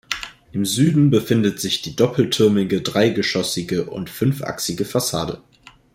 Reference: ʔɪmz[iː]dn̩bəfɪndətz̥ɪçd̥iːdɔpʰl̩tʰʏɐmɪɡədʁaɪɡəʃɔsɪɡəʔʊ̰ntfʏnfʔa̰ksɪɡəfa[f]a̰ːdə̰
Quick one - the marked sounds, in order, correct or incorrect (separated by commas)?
incorrect, incorrect